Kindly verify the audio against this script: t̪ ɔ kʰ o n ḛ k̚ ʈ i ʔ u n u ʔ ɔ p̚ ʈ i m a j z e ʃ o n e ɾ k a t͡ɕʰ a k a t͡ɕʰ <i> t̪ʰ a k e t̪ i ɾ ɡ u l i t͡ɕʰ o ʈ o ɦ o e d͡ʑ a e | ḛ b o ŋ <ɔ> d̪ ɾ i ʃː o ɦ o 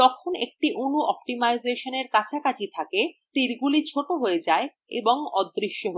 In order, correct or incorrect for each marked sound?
correct, correct

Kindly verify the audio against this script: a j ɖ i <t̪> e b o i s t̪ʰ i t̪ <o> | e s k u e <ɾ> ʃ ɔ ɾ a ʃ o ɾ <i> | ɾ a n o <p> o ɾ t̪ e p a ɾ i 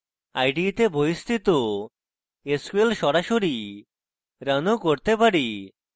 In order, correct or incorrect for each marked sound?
correct, correct, incorrect, correct, incorrect

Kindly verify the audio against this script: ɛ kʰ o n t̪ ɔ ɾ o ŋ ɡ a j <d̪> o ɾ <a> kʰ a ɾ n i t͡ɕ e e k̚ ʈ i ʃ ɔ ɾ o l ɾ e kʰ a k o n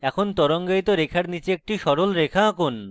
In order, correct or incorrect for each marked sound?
incorrect, incorrect

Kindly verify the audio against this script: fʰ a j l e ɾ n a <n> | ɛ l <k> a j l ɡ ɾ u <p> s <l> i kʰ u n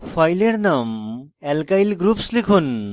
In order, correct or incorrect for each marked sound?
incorrect, correct, correct, correct

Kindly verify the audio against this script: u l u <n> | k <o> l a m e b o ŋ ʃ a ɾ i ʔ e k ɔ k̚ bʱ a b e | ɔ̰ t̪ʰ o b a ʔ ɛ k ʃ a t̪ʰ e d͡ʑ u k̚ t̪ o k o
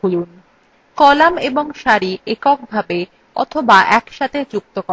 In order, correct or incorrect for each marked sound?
correct, incorrect

